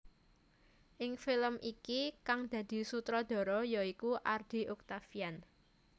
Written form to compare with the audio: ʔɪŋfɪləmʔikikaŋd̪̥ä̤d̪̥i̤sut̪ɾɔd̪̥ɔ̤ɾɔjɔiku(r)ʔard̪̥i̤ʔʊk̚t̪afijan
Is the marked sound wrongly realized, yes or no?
yes